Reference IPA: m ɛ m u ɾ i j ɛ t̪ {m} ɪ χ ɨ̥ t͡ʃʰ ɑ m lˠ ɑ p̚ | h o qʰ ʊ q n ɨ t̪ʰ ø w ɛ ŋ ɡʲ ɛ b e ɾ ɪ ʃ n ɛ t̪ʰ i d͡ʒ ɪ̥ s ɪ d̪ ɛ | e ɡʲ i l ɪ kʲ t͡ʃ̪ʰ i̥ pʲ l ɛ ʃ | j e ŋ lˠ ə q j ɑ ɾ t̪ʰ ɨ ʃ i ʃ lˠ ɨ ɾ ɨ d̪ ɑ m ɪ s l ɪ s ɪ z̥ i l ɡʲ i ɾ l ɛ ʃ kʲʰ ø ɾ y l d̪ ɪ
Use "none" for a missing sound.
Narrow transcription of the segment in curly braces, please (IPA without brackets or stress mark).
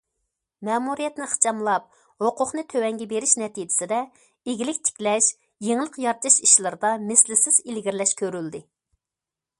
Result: n